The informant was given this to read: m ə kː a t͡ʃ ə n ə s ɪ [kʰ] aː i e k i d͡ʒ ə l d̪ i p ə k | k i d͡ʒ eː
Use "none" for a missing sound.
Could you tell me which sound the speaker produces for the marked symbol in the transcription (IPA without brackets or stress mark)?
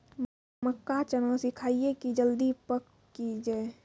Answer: kʰ